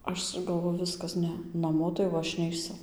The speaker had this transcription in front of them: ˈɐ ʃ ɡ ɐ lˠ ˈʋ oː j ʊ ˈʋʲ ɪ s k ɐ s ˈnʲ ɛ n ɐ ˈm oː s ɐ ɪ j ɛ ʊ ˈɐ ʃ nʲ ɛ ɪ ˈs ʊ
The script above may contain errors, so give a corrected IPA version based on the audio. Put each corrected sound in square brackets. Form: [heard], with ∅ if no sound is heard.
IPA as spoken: ˈɐ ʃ ɡ ɐ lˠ ˈʋ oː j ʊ ˈʋʲ ɪ s k ɐ s ˈnʲ ɛ n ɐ ˈm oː [t] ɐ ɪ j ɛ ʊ ˈɐ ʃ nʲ ɛ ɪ ˈs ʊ